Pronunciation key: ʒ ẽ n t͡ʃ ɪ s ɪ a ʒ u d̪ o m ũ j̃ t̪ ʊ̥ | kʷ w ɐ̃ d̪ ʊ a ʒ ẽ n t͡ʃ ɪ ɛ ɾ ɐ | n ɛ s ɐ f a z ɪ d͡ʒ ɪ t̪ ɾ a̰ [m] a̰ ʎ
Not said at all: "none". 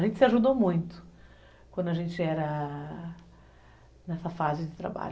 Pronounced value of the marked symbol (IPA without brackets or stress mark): b